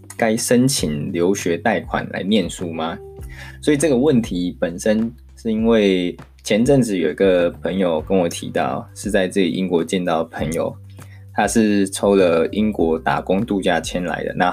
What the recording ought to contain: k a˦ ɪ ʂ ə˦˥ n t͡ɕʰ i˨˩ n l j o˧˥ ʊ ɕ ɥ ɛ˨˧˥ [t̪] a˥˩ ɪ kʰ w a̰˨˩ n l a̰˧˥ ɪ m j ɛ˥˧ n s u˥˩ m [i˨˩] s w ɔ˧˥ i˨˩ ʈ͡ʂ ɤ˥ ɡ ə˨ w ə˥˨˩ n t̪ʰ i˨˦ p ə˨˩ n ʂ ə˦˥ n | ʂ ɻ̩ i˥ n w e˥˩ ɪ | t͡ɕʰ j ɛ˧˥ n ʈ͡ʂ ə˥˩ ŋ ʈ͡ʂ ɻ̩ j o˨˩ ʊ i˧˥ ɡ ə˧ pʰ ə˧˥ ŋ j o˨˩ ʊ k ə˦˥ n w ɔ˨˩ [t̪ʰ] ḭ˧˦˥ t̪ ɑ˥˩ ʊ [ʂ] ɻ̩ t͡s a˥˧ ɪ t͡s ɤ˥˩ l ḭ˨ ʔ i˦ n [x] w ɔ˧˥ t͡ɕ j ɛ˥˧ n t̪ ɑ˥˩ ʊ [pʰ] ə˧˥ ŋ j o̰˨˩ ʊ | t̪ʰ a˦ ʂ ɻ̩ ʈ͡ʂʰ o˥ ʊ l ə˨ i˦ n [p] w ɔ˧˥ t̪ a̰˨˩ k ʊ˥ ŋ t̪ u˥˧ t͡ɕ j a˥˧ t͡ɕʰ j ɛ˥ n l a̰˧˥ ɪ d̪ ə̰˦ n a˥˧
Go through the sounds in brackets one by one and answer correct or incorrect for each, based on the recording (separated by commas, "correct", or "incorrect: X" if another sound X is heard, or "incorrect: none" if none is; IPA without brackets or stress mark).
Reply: correct, incorrect: a˨˩, correct, correct, incorrect: k, correct, incorrect: k